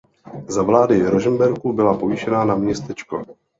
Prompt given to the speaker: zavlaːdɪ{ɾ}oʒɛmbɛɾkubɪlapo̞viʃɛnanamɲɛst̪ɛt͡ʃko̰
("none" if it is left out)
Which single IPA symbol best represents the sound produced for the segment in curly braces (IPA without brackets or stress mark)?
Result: ɾ